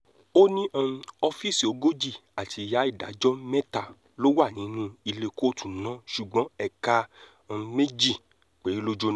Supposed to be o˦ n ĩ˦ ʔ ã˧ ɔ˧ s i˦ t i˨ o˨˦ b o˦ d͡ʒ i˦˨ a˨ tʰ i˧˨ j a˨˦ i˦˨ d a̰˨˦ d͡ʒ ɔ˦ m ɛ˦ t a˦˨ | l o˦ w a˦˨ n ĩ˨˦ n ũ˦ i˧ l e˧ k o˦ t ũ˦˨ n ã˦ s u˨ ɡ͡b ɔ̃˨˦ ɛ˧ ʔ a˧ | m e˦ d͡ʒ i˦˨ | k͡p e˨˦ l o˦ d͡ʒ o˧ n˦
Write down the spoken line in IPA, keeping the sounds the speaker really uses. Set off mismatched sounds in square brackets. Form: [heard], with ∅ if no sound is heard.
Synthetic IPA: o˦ n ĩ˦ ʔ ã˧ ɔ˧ [f] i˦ [s] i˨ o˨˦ [ɡ] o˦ d͡ʒ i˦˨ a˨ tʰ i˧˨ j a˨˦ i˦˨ d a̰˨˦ d͡ʒ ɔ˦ m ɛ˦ t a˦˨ | l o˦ w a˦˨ n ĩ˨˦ n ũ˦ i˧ l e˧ k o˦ t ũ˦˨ n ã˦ [ʃ] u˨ ɡ͡b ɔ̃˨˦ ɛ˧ [k] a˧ | m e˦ d͡ʒ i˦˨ | k͡p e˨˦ l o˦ d͡ʒ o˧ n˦